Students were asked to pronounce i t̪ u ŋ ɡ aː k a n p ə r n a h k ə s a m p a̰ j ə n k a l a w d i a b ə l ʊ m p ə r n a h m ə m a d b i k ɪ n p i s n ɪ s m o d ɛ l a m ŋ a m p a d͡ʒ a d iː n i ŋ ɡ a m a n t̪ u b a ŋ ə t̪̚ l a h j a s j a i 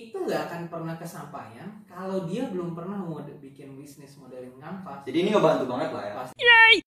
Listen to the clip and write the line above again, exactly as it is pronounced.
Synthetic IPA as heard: i t̪ u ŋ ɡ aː k a n p ə r n a h k ə s a m p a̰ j a n k a l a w d i a b ə l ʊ m p ə r n a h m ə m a d b i k ɪ n b i s n ɪ s m o d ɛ l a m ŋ a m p a d͡ʒ a d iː n i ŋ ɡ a b a n t̪ u b a ŋ ə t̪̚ l a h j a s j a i